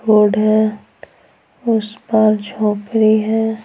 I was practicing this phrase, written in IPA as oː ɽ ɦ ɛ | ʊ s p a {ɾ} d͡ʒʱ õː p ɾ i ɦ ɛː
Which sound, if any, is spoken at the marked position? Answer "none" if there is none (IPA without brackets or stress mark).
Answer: ɾ